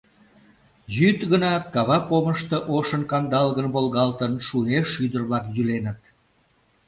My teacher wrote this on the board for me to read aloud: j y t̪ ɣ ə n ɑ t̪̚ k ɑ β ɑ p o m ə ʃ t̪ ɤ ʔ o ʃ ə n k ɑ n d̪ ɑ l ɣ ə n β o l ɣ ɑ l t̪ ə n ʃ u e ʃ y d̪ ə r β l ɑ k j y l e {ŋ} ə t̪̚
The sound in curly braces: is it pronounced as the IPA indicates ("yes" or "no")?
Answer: no